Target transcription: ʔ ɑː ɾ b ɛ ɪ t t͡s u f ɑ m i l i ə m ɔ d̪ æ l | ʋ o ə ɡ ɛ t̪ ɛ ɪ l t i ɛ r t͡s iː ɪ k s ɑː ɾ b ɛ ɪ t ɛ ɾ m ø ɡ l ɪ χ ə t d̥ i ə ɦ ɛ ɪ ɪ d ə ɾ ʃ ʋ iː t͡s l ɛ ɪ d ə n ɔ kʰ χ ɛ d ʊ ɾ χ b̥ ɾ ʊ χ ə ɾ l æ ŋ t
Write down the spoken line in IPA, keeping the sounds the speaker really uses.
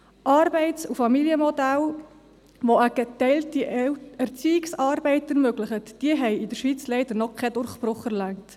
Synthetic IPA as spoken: ʔ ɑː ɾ b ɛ ɪ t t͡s u f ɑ m i l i ə m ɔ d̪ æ l | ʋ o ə ɡ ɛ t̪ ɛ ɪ l t i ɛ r t͡s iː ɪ k s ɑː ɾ b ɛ ɪ t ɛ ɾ m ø ɡ l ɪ χ ə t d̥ i ə ɦ ɛ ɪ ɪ d ə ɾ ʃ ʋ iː t͡s l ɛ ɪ d ə n ɔ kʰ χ ɛ d ʊ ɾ χ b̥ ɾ ʊ χ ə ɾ l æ ŋ t